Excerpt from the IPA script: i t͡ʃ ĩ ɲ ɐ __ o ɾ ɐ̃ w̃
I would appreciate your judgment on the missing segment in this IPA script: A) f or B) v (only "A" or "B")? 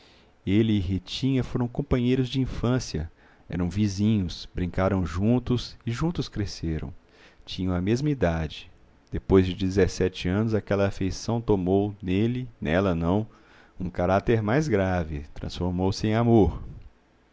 A